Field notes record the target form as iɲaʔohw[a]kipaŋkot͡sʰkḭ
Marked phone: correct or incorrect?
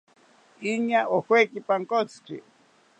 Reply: incorrect: e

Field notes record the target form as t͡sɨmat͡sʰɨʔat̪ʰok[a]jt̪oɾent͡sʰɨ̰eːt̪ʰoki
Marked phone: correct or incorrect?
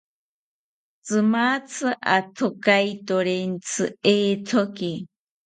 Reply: correct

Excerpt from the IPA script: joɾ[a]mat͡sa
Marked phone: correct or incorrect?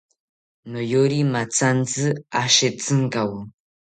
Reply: incorrect: i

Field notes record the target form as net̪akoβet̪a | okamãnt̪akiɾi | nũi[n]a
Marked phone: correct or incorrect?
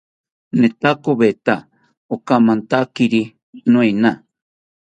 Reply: correct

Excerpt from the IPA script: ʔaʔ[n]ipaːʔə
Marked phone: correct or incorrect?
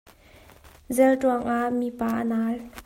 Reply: incorrect: m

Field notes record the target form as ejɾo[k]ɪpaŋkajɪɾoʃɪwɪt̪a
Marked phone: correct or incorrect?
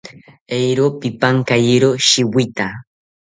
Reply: incorrect: p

